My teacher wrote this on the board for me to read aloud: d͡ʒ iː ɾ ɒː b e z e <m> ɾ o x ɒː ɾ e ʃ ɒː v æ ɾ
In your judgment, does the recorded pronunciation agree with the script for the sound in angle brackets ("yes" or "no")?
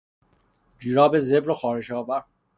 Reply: no